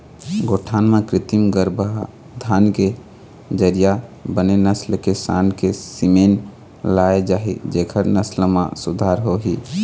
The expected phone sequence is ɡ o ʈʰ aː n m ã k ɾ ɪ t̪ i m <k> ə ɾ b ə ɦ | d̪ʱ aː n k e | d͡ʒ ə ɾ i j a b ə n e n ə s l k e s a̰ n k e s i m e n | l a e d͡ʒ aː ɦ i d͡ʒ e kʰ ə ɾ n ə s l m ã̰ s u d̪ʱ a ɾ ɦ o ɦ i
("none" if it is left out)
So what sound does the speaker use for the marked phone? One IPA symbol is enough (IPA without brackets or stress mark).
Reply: ɡ